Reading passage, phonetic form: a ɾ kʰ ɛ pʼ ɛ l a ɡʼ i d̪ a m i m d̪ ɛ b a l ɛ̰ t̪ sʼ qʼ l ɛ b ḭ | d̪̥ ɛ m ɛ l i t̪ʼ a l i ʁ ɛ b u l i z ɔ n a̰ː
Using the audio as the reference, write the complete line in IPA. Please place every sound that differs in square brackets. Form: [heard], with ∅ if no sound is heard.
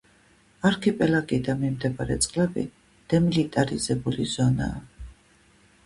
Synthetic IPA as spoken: a ɾ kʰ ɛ pʼ ɛ l a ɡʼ i d̪ a m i m d̪ ɛ b a [ɾ] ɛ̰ t̪ sʼ qʼ l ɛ b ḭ | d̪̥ ɛ m [i] l i t̪ʼ a [ɾ] i [z] ɛ b u l i z ɔ n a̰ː